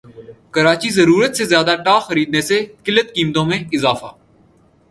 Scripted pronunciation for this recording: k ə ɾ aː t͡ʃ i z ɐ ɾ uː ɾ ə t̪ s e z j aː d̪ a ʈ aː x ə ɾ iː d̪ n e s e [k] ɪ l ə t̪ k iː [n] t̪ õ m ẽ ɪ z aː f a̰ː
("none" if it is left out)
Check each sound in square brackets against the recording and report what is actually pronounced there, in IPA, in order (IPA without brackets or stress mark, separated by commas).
k, m